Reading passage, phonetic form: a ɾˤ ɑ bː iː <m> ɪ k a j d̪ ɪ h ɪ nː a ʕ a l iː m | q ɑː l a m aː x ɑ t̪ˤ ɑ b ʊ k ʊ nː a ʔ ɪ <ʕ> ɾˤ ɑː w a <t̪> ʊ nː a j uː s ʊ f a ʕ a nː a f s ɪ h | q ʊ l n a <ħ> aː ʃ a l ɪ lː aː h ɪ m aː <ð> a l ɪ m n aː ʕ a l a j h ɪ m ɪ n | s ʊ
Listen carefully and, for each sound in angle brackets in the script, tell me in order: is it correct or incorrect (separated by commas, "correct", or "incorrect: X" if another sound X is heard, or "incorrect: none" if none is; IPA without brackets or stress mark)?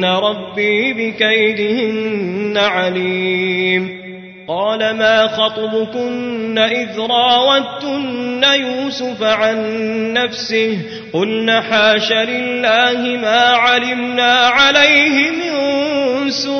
incorrect: b, incorrect: ð, correct, correct, incorrect: ʕ